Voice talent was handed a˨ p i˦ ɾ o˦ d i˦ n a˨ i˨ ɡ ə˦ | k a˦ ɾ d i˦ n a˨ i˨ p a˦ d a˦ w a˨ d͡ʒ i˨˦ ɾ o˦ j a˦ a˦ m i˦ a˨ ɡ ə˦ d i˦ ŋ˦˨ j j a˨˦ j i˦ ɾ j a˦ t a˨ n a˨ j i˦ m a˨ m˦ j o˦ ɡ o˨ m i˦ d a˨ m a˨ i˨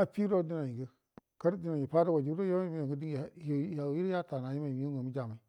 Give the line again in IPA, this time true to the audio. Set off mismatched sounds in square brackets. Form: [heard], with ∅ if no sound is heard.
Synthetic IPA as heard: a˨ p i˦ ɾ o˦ d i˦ n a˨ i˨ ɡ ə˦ | k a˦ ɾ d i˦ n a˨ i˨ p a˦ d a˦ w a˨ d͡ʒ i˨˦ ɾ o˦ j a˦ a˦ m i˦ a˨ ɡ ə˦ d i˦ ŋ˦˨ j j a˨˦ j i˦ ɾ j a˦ t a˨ n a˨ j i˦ m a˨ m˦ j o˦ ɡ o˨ m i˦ [d͡ʒ] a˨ m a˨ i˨